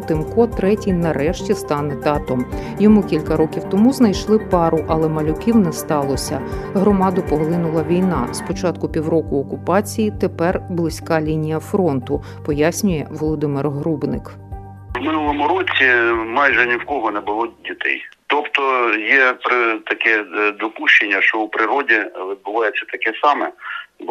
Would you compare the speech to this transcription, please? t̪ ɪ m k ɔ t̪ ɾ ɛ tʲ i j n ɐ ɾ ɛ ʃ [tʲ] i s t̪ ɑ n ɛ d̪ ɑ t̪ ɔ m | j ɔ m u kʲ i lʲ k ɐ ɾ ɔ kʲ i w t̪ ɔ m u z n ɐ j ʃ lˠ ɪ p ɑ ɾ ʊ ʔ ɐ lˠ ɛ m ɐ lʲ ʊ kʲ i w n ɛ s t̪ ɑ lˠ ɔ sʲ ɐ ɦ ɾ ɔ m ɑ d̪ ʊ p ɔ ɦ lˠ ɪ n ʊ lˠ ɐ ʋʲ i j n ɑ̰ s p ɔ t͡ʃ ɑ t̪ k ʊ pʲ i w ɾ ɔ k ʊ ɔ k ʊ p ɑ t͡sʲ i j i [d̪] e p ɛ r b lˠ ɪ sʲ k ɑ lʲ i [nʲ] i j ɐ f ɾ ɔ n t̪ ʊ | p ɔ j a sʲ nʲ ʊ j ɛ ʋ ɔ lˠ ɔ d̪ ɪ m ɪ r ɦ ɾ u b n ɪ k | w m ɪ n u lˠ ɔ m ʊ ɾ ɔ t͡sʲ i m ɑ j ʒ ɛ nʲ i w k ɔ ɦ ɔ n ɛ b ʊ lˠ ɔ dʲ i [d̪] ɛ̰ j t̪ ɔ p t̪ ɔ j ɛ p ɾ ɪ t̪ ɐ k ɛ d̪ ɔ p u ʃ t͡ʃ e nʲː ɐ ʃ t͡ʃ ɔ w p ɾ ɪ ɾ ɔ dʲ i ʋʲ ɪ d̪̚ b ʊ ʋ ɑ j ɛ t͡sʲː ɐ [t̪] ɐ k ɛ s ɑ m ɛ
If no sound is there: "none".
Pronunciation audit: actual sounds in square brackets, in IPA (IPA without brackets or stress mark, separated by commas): tʲ, t̪, nʲ, t̪, t̪